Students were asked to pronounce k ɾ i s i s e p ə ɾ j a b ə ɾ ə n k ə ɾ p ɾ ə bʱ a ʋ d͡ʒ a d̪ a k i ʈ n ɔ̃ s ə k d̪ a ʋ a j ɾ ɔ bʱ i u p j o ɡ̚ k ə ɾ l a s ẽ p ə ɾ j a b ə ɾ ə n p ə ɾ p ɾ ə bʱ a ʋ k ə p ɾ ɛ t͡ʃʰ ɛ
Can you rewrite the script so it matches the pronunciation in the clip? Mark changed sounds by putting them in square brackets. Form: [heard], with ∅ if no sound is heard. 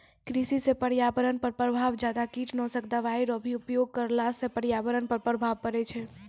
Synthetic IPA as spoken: k ɾ i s i s e p ə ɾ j a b ə ɾ ə n [p] ə ɾ p ɾ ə bʱ a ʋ d͡ʒ a d̪ a k i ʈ n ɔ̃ s ə k d̪ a ʋ a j ɾ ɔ bʱ i u p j o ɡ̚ k ə ɾ l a s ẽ p ə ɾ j a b ə ɾ ə n p ə ɾ p ɾ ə bʱ a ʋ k ə [∅] ɾ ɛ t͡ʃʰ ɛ